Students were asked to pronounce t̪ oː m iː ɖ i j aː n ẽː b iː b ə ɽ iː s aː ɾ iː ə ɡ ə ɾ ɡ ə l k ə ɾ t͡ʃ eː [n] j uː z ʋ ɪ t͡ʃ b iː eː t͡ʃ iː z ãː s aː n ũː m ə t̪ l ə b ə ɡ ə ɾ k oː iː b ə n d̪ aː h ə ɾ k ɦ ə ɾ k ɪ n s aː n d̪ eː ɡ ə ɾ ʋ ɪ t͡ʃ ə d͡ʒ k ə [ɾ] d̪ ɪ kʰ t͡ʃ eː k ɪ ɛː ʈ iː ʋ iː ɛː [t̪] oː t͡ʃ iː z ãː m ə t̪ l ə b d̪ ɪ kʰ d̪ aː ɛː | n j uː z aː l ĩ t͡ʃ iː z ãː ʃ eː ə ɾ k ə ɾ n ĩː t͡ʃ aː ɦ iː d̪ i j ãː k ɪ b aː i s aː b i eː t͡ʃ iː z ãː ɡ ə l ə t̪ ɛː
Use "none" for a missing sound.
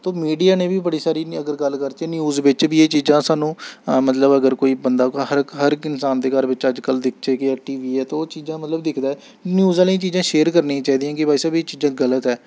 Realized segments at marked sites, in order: n, l, t̪

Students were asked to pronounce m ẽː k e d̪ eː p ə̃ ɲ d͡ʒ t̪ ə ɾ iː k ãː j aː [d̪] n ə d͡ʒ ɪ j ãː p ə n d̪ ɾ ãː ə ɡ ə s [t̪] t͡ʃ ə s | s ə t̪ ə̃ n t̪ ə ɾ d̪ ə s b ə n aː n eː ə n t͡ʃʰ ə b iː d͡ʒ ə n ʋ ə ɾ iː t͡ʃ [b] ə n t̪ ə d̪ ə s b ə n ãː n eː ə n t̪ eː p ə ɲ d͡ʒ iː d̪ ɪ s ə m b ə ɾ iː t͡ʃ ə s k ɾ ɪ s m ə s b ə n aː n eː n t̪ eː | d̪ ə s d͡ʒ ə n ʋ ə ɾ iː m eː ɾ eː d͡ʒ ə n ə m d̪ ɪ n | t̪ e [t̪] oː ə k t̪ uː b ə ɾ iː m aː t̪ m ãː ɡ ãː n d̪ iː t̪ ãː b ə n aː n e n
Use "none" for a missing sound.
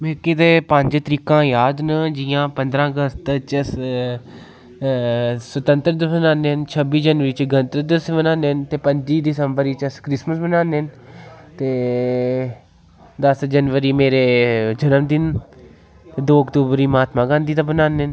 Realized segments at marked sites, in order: d̪, t̪, ɡ, d̪

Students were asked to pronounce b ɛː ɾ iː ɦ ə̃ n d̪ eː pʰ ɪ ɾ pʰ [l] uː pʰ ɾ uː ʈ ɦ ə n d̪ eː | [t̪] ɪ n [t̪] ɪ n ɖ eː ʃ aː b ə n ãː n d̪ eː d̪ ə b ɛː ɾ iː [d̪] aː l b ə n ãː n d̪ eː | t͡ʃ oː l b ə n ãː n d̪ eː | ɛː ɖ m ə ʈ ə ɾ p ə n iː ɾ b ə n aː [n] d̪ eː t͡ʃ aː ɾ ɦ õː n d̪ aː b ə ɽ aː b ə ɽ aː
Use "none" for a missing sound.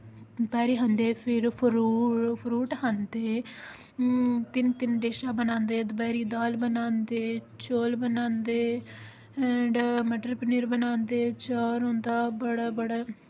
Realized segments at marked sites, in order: ɾ, t̪, t̪, d̪, n

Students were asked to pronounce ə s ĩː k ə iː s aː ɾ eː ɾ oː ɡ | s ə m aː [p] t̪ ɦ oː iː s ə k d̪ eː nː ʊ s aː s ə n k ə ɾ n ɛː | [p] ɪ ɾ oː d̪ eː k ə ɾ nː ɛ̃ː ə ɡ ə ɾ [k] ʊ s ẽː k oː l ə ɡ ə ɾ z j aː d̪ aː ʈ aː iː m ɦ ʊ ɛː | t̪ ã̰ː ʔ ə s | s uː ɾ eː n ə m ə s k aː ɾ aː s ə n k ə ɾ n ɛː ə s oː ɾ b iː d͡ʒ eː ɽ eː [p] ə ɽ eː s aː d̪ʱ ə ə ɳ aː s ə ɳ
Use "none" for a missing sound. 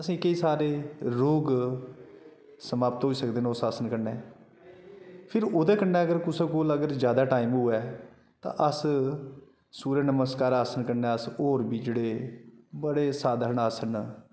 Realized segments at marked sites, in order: p, pʰ, k, b

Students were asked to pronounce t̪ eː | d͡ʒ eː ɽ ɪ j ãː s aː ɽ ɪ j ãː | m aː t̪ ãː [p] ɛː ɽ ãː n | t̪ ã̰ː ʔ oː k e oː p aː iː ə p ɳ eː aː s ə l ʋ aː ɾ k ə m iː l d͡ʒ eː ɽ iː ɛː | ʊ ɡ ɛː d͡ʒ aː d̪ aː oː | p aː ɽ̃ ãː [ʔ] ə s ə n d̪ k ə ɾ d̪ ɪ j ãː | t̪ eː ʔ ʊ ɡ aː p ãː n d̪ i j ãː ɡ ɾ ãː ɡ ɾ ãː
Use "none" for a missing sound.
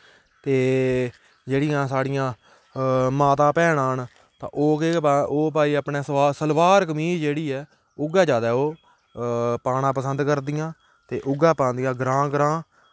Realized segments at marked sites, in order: p, p

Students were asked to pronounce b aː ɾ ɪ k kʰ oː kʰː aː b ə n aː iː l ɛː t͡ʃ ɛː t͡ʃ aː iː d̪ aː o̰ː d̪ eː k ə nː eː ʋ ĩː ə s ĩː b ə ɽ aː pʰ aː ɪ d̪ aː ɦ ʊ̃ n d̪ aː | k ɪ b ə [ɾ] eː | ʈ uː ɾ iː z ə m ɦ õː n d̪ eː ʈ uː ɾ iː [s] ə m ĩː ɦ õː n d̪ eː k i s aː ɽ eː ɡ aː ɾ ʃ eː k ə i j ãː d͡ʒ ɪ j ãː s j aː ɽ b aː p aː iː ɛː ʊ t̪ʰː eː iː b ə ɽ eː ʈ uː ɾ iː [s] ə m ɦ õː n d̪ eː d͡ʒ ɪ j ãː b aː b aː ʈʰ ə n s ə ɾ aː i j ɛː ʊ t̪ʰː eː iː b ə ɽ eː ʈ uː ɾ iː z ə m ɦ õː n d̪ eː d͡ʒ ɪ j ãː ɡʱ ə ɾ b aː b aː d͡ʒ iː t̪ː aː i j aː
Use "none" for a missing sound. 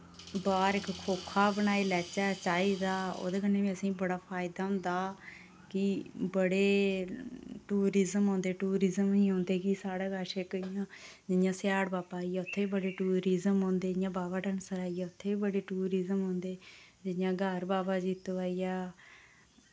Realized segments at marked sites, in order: ɽ, z, z

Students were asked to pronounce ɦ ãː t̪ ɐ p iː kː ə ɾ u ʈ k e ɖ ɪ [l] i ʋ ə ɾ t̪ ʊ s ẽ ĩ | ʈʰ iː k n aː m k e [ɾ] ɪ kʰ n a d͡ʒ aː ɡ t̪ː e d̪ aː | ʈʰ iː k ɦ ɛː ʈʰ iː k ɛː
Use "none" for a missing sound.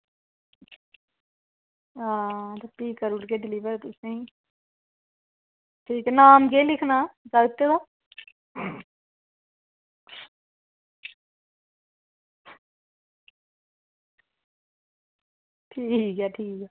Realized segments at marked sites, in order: l, l

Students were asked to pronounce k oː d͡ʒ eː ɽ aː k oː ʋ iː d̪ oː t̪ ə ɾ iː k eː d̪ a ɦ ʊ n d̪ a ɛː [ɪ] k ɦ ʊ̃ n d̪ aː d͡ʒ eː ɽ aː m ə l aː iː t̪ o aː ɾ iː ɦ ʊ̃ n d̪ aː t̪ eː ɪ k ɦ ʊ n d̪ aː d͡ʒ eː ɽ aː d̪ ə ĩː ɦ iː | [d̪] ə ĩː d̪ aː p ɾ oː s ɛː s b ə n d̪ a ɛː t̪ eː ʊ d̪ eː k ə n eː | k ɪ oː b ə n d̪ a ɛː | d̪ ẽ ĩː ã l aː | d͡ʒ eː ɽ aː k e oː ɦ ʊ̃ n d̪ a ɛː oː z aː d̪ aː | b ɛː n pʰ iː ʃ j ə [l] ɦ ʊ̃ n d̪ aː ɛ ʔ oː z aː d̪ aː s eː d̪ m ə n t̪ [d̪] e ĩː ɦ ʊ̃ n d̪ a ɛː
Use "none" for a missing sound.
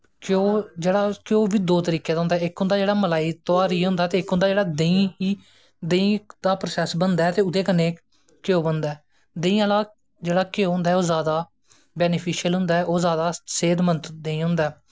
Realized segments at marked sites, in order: ɪ, d̪, l, d̪

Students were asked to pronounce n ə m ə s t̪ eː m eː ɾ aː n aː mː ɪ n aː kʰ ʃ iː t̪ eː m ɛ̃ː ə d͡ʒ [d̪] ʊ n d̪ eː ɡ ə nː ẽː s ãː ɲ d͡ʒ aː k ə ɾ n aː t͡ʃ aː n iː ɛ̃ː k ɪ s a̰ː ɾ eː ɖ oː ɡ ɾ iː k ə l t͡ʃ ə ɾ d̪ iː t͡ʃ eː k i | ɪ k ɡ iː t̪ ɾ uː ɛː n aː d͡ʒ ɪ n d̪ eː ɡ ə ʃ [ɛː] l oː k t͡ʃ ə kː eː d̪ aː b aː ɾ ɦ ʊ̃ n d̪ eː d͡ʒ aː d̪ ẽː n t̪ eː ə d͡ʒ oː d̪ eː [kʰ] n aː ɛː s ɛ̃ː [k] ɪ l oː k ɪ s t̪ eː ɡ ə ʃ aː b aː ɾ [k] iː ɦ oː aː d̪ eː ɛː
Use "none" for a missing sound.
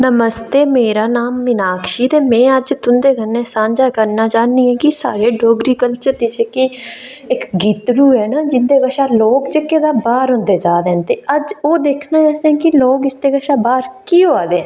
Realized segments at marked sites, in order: t̪, aː, kʰ, k, k

